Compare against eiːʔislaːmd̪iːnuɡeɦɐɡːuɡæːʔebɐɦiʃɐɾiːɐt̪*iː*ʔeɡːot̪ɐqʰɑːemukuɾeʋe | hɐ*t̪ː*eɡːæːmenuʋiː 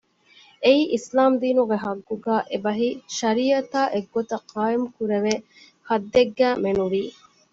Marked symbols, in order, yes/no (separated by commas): no, no